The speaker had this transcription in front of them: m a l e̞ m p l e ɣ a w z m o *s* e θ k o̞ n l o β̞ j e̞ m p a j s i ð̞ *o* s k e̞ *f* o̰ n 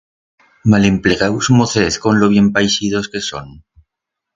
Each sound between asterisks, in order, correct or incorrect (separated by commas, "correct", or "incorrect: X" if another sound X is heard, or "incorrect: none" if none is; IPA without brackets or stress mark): incorrect: θ, correct, incorrect: s